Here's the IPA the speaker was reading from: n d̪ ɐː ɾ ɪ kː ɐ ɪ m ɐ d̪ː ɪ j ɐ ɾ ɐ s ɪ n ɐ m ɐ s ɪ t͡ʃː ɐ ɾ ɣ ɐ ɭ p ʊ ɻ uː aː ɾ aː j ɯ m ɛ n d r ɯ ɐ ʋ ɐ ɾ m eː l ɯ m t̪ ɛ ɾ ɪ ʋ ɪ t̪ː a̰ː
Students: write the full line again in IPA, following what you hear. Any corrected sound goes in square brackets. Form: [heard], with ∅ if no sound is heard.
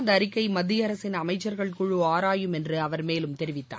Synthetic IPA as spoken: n d̪ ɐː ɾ ɪ kː ɐ ɪ m ɐ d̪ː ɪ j ɐ ɾ ɐ s ɪ n ɐ m ɐ [∅] ɪ t͡ʃː ɐ ɾ ɣ ɐ ɭ [k] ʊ ɻ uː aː ɾ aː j ɯ m ɛ n d r ɯ ɐ ʋ ɐ ɾ m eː l ɯ m t̪ ɛ ɾ ɪ ʋ ɪ t̪ː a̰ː

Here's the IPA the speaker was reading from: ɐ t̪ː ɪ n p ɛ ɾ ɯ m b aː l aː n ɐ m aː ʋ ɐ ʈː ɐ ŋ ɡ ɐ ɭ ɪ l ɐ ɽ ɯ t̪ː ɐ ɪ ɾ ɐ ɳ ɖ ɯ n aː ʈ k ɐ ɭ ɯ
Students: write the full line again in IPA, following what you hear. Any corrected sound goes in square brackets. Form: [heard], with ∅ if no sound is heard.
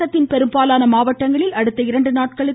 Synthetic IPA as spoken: ɐ t̪ː ɪ n p ɛ ɾ ɯ m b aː l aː n ɐ m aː ʋ ɐ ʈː ɐ ŋ ɡ ɐ ɭ ɪ l ɐ ɽ ɯ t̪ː ɐ ɪ ɾ ɐ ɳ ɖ ɯ n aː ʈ k ɐ ɭ ɯ

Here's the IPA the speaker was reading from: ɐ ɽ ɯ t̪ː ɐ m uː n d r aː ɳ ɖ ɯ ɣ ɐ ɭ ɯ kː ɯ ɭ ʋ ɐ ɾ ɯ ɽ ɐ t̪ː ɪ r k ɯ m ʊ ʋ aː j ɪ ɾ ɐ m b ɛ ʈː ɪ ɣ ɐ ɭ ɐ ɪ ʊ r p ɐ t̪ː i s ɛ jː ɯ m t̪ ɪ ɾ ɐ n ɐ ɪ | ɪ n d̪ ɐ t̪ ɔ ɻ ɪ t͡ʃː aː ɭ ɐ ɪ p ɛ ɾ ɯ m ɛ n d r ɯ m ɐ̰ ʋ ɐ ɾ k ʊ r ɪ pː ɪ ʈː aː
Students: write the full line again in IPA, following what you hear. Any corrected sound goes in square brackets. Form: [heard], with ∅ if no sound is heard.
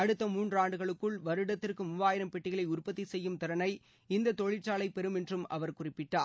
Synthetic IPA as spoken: ɐ ɽ ɯ t̪ː ɐ m uː n d r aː ɳ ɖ ɯ ɣ ɐ ɭ ɯ kː ɯ ɭ ʋ ɐ ɾ ɯ ɽ ɐ t̪ː ɪ r k ɯ m ʊ ʋ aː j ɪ ɾ ɐ m [p] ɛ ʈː ɪ ɣ ɐ ɭ ɐ ɪ ʊ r p ɐ t̪ː i s ɛ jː ɯ m t̪ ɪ ɾ ɐ n ɐ ɪ | ɪ n d̪ ɐ t̪ ɔ ɻ ɪ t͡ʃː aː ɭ ɐ ɪ p ɛ ɾ ɯ m ɛ n d r ɯ m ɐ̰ ʋ ɐ ɾ k ʊ r ɪ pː ɪ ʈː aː

